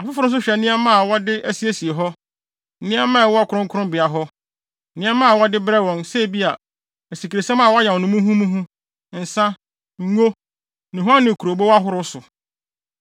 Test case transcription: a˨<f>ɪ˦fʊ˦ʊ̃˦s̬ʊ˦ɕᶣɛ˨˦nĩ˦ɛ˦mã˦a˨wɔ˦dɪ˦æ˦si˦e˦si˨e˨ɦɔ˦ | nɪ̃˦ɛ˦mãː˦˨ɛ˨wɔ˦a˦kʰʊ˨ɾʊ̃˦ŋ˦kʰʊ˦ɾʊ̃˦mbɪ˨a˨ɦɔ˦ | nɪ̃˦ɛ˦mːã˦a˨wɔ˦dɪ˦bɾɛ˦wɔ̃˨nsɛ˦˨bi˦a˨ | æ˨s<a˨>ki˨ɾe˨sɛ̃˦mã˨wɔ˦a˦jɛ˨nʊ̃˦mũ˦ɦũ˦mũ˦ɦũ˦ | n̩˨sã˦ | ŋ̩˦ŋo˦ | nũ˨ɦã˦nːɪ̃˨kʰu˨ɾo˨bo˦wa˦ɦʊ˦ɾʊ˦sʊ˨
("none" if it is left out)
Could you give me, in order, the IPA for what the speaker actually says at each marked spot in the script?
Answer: f, i˨

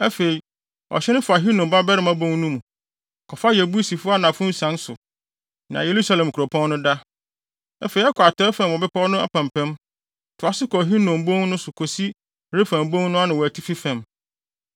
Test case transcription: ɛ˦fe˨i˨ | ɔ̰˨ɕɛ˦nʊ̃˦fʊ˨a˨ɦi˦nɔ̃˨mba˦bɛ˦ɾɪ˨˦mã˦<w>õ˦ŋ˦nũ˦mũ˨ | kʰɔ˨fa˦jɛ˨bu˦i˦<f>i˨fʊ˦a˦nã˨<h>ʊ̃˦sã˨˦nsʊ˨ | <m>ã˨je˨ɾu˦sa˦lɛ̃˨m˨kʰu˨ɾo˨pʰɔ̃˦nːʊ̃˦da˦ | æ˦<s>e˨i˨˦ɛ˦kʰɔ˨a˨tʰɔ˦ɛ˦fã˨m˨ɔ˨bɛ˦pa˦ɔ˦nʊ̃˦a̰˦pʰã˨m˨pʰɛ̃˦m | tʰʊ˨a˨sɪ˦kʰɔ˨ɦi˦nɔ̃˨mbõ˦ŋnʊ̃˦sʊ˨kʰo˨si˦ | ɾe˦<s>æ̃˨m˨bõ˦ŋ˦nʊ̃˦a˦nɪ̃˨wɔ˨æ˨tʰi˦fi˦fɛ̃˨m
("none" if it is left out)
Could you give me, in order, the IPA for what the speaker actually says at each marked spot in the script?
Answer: b, s, f, n, f, f

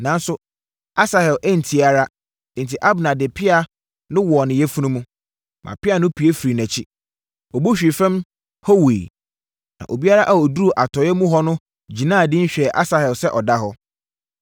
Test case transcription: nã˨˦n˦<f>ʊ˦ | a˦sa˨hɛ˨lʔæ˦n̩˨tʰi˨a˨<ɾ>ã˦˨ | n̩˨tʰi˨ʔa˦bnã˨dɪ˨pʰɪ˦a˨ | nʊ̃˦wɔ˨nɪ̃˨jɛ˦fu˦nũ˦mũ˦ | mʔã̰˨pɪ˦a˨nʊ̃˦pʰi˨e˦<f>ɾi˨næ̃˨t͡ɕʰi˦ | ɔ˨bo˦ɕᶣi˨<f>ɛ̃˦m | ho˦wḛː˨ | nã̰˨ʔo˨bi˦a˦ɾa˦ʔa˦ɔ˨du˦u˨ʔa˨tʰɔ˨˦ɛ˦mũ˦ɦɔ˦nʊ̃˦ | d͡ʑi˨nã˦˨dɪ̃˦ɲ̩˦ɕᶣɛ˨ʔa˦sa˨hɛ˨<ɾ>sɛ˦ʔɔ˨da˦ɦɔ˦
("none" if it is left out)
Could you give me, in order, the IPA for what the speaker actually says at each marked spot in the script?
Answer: s, ɾ, f, f, l

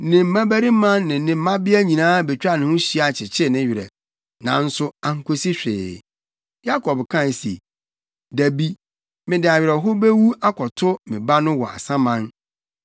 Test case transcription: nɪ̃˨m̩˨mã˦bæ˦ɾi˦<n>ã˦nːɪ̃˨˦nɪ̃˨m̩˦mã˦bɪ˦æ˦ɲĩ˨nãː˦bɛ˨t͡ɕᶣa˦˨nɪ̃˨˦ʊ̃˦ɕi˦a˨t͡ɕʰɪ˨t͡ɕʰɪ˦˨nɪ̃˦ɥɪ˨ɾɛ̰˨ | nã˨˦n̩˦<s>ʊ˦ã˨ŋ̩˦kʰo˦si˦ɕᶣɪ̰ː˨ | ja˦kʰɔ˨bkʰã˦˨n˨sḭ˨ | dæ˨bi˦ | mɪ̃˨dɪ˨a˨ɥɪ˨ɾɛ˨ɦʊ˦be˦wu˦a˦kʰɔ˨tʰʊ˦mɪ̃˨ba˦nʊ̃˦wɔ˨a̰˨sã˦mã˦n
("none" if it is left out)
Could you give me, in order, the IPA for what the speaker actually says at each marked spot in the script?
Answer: m, s

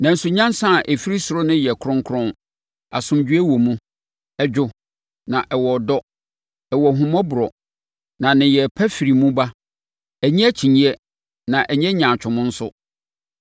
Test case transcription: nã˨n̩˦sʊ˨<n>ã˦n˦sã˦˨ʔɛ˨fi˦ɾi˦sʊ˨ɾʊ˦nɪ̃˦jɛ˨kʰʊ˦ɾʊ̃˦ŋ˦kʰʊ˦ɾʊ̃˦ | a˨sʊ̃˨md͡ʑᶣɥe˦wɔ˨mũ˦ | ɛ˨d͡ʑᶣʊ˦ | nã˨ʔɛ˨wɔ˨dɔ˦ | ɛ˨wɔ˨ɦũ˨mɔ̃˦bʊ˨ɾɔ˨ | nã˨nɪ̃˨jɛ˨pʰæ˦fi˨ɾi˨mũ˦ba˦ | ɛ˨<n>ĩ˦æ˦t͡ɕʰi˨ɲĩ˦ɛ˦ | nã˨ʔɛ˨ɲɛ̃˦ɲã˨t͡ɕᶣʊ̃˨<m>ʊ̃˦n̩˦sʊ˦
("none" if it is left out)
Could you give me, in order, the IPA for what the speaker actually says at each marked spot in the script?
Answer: ɲ, ɲ, m

